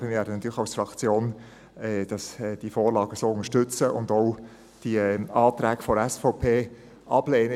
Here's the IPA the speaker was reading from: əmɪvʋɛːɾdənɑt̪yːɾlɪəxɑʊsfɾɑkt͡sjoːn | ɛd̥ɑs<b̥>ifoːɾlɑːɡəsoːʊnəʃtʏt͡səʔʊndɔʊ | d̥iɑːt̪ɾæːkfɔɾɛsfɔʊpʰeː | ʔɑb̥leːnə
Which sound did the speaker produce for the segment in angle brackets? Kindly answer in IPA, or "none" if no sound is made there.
d̥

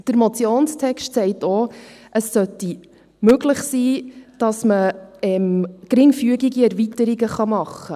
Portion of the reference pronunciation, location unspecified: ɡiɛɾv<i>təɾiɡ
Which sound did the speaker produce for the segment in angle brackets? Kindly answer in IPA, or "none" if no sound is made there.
i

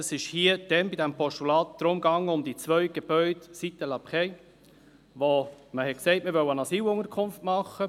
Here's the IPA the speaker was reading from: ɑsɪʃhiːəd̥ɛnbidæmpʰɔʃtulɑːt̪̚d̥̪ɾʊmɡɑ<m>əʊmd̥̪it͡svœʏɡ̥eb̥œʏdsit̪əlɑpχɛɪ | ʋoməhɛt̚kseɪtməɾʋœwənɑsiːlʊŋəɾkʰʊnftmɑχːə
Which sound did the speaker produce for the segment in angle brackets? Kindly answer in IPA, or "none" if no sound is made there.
ŋ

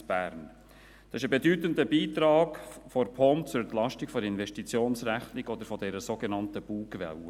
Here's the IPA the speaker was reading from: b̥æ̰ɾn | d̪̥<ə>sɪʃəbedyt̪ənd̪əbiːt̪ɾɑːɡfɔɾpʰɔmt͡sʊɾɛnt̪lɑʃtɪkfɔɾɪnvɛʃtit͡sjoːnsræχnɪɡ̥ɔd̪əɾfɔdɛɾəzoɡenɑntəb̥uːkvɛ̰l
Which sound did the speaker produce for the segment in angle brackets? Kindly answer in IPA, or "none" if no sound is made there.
ɑ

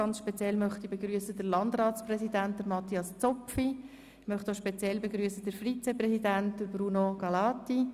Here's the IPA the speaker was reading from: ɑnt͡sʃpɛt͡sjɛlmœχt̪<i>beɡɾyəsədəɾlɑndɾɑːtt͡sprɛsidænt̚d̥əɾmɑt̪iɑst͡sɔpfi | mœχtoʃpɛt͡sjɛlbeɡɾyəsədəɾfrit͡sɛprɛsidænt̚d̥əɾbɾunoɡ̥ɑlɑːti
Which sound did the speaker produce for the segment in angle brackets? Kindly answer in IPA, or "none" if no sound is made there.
i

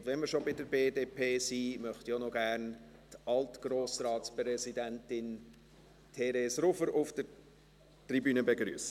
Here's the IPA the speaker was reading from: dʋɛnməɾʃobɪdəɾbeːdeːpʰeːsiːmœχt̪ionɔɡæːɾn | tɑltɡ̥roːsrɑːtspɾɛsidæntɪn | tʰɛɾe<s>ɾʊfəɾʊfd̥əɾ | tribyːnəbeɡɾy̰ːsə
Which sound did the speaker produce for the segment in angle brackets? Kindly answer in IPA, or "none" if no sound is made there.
s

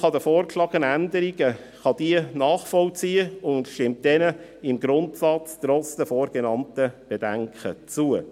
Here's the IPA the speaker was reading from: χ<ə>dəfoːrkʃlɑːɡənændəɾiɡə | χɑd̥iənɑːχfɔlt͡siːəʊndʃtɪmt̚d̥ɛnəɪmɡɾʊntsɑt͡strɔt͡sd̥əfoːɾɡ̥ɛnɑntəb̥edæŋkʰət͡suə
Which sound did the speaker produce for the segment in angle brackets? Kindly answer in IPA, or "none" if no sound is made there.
ɑ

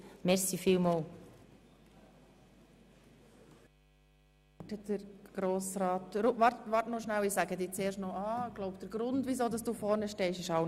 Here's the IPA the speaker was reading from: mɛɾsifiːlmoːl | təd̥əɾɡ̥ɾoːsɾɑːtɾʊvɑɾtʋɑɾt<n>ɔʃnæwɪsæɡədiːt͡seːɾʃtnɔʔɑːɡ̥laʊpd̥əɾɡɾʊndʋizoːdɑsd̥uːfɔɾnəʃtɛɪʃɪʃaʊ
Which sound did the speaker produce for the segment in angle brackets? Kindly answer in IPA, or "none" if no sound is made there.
n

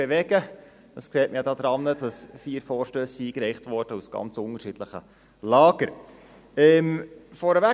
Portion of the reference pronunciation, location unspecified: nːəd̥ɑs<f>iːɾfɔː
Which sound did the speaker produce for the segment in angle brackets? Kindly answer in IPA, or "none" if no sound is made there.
f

